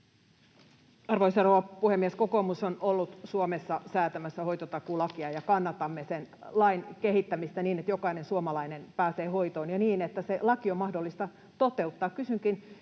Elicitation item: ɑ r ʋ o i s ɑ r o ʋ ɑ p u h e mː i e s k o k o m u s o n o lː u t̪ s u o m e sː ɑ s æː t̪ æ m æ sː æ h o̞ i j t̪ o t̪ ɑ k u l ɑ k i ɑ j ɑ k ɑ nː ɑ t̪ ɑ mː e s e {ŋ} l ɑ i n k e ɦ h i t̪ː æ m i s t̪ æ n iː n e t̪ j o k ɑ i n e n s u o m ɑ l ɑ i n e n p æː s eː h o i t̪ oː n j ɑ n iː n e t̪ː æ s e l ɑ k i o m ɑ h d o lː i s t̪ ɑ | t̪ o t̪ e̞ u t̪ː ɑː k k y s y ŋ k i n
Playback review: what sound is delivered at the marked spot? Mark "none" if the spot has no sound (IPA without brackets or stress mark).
n